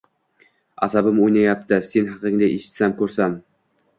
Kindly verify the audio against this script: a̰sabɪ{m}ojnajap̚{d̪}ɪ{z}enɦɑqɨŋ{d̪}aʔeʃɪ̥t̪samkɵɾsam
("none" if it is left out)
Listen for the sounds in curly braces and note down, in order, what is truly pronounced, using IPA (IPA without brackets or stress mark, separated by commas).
m, t̪, s, d̪